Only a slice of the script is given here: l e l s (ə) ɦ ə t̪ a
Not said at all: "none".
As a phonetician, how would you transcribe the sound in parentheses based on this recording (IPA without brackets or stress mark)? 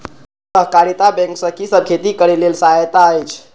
a